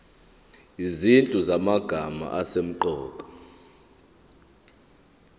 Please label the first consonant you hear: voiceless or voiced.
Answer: voiced